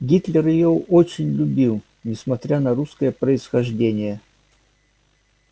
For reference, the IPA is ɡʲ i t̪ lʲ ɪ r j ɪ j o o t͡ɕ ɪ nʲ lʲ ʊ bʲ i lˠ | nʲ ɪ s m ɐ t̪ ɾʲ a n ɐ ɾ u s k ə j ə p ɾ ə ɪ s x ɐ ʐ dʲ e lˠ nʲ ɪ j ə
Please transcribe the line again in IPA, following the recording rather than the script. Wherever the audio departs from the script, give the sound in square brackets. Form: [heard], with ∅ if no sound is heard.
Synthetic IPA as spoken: ɡʲ i t̪ lʲ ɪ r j ɪ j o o t͡ɕ ɪ nʲ lʲ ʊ bʲ i lˠ | nʲ ɪ s m ɐ t̪ ɾʲ a n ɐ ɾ u s k ə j ə p ɾ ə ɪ s x ɐ ʐ dʲ e [∅] nʲ ɪ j ə